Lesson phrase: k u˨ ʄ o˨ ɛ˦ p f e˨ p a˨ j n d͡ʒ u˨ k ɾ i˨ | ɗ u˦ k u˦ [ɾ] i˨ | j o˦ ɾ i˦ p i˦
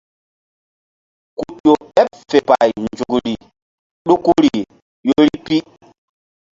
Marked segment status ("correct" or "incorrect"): correct